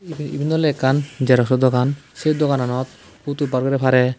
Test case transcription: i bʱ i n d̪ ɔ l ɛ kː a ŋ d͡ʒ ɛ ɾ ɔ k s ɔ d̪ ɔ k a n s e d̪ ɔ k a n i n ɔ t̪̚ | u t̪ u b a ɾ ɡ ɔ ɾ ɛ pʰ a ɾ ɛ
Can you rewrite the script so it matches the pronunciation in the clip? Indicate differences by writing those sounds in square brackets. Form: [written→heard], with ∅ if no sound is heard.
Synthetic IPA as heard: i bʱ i n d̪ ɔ l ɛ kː a [ŋ→n] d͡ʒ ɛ ɾ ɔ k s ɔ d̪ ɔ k a n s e d̪ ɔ k a n [i→a] n ɔ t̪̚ | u t̪ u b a ɾ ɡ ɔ ɾ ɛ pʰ a ɾ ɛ